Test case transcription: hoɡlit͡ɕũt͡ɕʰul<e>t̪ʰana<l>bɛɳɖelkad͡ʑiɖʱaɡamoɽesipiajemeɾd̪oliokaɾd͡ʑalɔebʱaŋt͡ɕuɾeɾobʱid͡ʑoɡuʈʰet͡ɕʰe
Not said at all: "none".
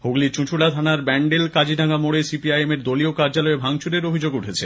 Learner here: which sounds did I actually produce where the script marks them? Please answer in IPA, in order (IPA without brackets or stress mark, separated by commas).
a, ɾ